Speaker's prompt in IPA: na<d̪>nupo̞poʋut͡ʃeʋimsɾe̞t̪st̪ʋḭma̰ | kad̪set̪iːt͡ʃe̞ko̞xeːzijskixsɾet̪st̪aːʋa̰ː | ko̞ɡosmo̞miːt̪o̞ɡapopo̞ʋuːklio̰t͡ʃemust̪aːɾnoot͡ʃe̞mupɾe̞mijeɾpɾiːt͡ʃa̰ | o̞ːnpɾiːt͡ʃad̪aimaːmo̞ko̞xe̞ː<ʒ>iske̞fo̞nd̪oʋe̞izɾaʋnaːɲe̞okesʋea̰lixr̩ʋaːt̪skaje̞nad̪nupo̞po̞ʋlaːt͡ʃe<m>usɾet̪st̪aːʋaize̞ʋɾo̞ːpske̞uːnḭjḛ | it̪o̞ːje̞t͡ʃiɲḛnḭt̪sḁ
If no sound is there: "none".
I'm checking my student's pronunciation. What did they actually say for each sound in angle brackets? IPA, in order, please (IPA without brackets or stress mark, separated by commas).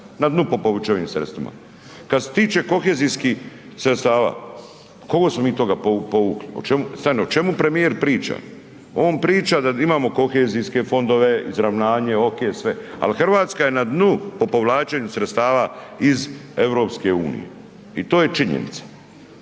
d̪, z, ɲ